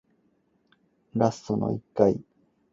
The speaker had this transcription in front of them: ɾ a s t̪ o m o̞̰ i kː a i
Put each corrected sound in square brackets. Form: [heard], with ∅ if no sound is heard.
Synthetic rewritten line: ɾ a s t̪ o [n] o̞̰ i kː a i